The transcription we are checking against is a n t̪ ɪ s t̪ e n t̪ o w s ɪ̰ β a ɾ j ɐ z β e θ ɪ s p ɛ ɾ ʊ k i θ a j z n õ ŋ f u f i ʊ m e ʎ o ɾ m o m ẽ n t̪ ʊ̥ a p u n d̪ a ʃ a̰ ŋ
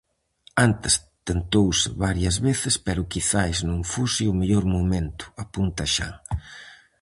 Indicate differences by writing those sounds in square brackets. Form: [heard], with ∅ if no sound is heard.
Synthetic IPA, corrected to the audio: a n t̪ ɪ s t̪ e n t̪ o w s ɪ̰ β a ɾ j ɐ z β e θ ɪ s p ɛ ɾ ʊ k i θ a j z n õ ŋ f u [s] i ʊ m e ʎ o ɾ m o m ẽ n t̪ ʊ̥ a p u n [t̪] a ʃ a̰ ŋ